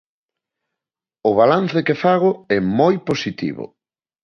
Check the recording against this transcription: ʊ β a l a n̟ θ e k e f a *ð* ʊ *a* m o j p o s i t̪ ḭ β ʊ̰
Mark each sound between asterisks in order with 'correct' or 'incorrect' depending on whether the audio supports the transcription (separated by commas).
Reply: incorrect, incorrect